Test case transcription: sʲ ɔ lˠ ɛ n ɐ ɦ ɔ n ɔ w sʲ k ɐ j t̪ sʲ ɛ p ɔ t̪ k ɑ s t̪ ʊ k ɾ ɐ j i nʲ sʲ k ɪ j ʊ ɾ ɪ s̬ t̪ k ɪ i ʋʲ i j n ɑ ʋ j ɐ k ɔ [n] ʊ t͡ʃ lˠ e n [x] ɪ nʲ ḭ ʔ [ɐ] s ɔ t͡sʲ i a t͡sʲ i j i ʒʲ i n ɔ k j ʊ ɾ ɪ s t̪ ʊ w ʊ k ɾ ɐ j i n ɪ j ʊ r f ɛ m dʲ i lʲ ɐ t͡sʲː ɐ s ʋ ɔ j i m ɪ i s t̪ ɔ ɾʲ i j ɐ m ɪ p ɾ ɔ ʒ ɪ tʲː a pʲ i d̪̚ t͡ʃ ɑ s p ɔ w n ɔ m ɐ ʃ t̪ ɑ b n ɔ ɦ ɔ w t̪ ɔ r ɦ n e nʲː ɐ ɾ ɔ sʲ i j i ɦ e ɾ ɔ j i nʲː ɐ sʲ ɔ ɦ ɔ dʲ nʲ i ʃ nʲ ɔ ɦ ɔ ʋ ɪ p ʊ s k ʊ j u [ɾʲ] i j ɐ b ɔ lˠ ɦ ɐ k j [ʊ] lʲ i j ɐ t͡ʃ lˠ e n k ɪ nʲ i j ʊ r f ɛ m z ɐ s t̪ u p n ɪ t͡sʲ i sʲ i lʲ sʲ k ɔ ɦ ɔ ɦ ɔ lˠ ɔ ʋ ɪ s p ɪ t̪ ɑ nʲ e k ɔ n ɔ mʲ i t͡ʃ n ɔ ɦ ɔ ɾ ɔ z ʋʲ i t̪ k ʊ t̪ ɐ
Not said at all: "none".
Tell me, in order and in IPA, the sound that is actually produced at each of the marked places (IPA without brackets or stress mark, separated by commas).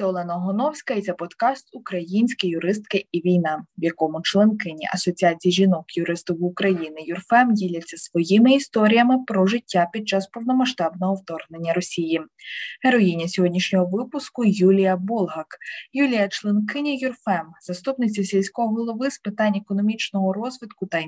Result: m, k, ɐ, lʲ, u